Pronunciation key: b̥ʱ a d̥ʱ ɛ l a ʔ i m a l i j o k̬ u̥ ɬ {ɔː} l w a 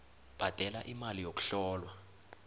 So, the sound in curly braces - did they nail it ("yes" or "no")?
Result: yes